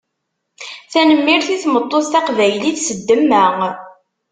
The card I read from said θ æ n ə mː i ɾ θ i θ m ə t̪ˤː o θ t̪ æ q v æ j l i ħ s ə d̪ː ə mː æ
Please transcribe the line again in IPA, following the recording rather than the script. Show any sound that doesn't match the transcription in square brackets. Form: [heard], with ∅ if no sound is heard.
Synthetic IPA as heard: θ æ n ə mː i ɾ θ i θ m ə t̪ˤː o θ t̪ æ q v æ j l i [θ] s ə d̪ː ə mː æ